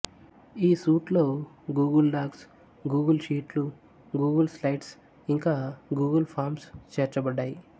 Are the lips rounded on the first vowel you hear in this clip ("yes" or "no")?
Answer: no